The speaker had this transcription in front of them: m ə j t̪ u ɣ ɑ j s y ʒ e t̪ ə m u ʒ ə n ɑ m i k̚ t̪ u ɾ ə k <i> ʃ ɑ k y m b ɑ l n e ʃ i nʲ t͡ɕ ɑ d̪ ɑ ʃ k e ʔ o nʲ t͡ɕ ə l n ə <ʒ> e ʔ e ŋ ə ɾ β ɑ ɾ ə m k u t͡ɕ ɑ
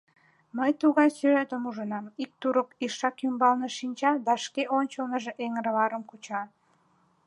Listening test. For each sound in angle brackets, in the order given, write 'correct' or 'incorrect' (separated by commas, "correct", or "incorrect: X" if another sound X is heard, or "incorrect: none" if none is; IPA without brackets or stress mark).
correct, correct